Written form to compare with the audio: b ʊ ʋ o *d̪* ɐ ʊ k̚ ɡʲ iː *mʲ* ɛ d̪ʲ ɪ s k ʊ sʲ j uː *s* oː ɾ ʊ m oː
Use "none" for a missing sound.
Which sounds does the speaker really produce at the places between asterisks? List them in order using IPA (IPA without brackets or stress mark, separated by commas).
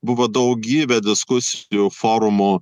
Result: d̪, bʲ, f